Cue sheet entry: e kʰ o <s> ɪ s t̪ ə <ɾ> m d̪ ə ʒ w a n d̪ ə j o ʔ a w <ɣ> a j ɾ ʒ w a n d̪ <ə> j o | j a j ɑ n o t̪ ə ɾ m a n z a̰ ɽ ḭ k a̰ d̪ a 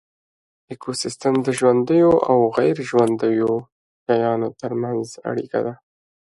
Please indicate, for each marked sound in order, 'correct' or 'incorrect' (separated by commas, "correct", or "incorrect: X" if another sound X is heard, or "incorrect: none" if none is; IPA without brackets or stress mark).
correct, incorrect: none, correct, correct